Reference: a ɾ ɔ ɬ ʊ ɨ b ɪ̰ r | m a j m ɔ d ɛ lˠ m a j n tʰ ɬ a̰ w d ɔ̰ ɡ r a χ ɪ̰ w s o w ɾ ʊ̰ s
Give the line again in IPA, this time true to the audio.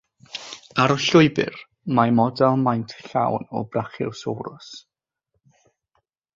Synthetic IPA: a ɾ ɔ ɬ ʊ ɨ b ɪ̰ r | m a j m ɔ d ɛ lˠ m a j n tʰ ɬ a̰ w n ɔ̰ b r a χ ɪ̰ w s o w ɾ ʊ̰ s